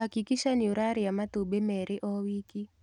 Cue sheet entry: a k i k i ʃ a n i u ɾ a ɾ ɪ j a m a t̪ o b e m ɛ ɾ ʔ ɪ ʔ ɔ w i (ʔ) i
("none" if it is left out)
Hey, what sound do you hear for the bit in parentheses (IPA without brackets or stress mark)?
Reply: k